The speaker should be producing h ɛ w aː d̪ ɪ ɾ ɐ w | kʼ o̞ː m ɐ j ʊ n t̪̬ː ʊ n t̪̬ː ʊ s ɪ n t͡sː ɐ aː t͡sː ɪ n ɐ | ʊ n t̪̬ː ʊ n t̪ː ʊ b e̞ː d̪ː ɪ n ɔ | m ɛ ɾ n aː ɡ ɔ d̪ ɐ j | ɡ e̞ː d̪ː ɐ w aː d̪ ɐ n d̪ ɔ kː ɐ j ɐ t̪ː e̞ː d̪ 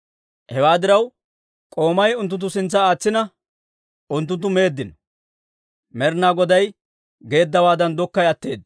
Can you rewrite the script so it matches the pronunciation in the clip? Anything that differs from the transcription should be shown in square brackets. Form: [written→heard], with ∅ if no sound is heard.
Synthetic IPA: h ɛ w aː d̪ ɪ ɾ ɐ w | kʼ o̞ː m ɐ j ʊ n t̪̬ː ʊ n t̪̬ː ʊ s ɪ n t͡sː ɐ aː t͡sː ɪ n ɐ | ʊ n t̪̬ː ʊ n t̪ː ʊ [b→m] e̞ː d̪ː ɪ n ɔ | m ɛ ɾ n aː ɡ ɔ d̪ ɐ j | ɡ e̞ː d̪ː ɐ w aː d̪ ɐ n d̪ ɔ kː ɐ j ɐ t̪ː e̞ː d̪